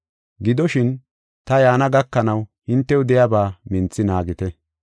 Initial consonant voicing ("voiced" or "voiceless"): voiced